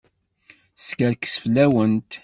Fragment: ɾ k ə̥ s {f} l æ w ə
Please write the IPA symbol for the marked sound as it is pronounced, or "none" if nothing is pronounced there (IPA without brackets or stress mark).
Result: f